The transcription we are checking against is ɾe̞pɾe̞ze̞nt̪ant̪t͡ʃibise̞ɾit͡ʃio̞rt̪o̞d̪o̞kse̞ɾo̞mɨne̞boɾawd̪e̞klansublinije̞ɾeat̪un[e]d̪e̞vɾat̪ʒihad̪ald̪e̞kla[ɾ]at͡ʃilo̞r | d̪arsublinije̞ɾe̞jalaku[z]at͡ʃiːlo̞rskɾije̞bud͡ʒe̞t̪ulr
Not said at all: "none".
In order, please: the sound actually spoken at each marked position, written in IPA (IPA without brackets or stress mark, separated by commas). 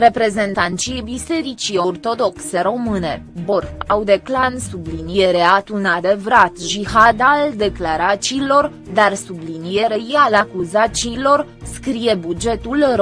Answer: a, ɾ, z